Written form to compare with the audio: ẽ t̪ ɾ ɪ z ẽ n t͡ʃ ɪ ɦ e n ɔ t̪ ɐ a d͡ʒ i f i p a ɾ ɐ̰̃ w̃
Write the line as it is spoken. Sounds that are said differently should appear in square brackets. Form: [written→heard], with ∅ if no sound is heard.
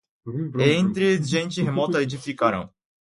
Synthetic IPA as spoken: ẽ t̪ ɾ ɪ [z→ʒ] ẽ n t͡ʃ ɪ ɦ e [n→m] ɔ t̪ ɐ [a→e] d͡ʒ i f i [p→k] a ɾ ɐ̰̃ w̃